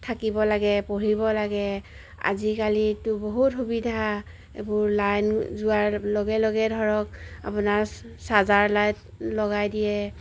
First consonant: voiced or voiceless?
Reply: voiceless